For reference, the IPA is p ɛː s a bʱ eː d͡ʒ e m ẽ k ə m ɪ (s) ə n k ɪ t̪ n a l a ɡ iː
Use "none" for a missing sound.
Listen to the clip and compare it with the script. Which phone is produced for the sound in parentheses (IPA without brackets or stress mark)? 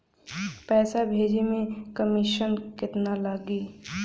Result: ʃ